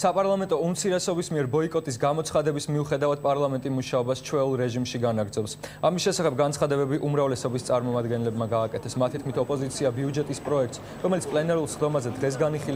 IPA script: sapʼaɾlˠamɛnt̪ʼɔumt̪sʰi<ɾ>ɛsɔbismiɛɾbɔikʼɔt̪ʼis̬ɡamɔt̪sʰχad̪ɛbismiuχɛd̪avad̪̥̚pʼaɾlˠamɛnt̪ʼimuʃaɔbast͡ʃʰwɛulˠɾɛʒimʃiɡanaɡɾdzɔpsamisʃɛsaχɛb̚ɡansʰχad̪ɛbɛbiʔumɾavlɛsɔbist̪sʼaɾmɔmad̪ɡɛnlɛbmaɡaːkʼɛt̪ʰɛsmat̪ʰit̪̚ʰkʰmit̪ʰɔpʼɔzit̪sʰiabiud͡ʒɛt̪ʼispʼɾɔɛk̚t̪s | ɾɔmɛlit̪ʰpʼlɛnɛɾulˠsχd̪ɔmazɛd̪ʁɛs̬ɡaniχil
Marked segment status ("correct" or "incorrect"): correct